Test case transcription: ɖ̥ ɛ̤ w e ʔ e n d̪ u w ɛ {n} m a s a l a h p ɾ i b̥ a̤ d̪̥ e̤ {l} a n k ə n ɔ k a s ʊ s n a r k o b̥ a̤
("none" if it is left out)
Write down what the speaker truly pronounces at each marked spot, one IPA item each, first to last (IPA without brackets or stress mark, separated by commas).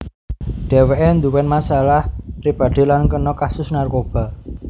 n, l